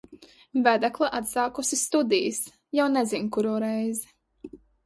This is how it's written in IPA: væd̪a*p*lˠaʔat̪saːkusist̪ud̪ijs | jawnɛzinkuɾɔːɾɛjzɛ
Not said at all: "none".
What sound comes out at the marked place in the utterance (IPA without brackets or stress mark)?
k